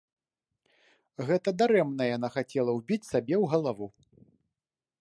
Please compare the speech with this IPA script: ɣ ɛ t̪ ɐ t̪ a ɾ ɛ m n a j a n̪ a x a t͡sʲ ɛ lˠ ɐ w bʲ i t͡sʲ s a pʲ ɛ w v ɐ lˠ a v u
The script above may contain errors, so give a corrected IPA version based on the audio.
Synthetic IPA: ɣ ɛ t̪ ɐ d̪ a ɾ ɛ m n ɐ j a n̪ a x a t͡sʲ ɛ lˠ ɐ w bʲ i t͡sʲ s a bʲ ɛ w ɣ ɐ lˠ a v u